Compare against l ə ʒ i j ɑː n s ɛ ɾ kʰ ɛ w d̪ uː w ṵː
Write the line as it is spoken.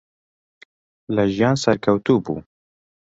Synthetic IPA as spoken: l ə ʒ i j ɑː n s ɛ ɾ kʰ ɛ w t̪ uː b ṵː